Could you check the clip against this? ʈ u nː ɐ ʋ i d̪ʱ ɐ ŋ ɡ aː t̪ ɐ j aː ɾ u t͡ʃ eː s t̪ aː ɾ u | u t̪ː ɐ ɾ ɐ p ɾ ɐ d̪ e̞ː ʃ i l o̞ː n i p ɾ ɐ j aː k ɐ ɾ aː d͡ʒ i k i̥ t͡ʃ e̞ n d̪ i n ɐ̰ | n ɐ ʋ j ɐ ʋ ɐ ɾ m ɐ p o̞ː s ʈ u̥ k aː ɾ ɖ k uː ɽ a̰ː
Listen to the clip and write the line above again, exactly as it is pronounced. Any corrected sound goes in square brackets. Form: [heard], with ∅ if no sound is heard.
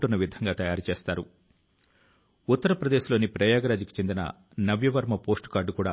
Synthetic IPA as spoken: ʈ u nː ɐ ʋ i d̪ʱ ɐ ŋ ɡ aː t̪ ɐ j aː ɾ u t͡ʃ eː s t̪ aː ɾ u | u t̪ː ɐ ɾ ɐ p ɾ ɐ d̪ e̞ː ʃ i l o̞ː n i p ɾ ɐ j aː [ɡ] ɐ ɾ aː d͡ʒ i k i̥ t͡ʃ e̞ n d̪ i n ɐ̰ | n ɐ ʋ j ɐ ʋ ɐ ɾ m ɐ p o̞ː s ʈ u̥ k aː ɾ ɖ k uː ɽ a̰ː